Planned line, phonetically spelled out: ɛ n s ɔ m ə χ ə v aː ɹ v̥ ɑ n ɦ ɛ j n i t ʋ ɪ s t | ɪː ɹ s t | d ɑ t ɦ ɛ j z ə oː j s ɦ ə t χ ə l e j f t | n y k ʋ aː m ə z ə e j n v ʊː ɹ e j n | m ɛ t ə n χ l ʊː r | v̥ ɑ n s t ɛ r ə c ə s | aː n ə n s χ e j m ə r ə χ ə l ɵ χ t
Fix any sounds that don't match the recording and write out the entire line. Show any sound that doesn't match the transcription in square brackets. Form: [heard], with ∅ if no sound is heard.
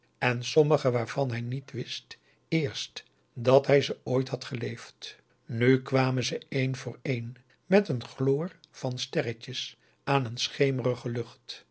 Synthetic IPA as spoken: ɛ n s ɔ m ə χ ə [ʋ] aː ɹ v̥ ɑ n ɦ ɛ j n i t ʋ ɪ s t | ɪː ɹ s t | d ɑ t ɦ ɛ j z ə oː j [t] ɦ [ɑ] t χ ə l e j f t | n y k ʋ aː m ə z ə e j n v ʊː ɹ e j n | m ɛ t ə n χ l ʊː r | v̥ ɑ n s t ɛ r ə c ə s | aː n ə n s χ e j m ə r ə χ ə l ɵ χ t